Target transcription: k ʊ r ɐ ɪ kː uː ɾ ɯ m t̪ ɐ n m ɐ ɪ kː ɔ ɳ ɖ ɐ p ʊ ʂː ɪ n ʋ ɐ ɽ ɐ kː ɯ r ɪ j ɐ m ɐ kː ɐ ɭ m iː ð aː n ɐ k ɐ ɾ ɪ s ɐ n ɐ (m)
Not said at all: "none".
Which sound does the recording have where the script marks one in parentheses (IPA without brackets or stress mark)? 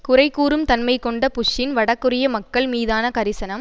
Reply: m